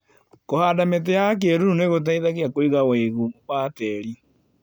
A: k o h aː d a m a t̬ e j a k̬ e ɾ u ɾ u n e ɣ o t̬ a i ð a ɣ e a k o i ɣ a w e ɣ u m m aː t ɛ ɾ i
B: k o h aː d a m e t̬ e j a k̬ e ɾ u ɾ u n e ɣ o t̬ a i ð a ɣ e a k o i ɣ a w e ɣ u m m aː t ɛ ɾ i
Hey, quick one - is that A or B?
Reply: B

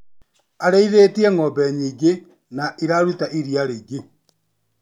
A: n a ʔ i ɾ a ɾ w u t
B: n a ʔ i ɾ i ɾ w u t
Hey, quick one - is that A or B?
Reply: A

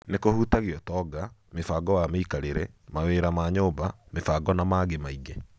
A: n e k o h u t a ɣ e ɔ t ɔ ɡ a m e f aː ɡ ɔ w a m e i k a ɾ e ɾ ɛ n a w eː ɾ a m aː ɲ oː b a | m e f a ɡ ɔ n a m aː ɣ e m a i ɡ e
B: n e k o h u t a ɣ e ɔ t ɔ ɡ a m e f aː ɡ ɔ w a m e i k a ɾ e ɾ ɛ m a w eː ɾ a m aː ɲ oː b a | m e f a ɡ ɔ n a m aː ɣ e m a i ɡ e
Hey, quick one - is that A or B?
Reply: B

